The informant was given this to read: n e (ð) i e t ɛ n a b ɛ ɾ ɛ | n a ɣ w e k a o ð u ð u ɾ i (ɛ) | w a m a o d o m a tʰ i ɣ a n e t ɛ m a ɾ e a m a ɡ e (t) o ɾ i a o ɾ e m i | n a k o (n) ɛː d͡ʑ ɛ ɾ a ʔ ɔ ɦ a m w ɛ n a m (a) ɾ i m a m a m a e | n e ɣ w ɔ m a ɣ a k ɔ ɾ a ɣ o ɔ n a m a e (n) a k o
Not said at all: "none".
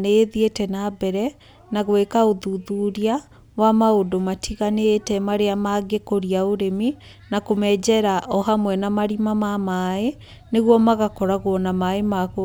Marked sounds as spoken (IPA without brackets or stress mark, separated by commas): ð, a, k, m, a, m